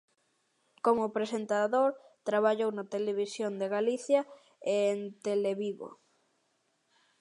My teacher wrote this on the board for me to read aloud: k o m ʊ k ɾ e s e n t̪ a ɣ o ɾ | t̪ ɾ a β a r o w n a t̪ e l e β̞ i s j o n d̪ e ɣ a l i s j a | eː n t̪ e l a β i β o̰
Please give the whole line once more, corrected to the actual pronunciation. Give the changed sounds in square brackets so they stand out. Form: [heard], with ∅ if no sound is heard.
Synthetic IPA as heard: k o m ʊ [p] ɾ e s e n t̪ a [ð] o ɾ | t̪ ɾ a β a [ʎ] o w n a t̪ e l e β̞ i s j o n d̪ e ɣ a l i [θ] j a | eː n t̪ e l [e] β i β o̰